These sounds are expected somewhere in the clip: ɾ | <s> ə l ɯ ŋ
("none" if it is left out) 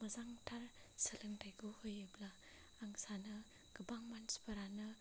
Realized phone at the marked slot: s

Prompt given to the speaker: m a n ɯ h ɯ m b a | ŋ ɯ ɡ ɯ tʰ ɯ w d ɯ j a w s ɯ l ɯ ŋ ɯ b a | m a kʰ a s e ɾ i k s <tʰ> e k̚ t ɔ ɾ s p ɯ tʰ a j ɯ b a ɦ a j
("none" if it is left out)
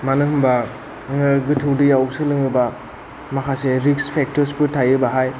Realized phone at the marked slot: pʰ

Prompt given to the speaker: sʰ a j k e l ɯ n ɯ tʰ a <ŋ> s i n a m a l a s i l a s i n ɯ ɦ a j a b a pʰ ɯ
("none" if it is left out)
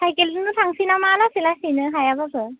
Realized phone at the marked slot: ŋ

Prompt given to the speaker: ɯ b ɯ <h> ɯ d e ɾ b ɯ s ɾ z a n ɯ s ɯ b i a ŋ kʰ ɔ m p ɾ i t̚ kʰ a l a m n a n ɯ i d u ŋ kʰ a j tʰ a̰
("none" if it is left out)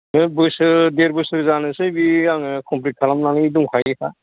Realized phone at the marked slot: s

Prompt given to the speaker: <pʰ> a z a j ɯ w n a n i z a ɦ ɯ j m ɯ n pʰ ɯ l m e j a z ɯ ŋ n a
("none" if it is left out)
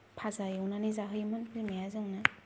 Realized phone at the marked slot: pʰ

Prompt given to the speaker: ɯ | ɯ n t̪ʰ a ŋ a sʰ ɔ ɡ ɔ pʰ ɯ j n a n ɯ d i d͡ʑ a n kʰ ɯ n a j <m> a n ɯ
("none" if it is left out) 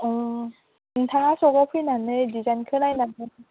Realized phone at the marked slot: n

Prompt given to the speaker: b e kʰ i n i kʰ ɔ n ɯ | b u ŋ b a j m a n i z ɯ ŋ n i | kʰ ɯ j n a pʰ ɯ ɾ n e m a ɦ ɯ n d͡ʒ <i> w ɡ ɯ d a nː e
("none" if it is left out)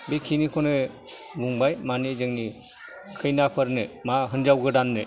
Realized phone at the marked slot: a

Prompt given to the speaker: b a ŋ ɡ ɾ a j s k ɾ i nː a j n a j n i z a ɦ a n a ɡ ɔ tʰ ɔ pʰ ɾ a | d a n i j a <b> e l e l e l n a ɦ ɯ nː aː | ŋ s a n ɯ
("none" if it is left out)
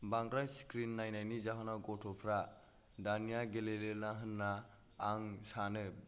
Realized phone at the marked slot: ɡ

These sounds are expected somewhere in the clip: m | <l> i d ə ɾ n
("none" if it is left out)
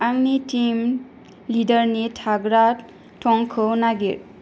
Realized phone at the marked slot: l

